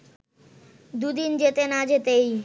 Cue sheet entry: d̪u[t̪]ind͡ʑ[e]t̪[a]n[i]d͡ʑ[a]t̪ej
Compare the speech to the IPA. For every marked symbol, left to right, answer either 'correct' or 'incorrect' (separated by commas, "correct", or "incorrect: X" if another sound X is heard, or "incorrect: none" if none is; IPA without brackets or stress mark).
incorrect: d̪, correct, incorrect: e, incorrect: a, incorrect: e